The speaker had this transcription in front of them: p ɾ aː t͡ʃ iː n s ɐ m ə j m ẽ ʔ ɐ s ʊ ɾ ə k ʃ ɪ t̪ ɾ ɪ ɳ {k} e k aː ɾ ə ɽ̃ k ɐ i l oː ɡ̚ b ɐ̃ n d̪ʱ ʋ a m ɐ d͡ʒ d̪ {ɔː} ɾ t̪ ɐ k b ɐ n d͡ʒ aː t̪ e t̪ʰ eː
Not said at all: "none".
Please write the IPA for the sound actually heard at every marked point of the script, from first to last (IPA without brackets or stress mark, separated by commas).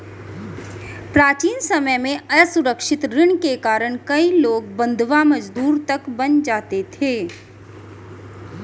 k, uː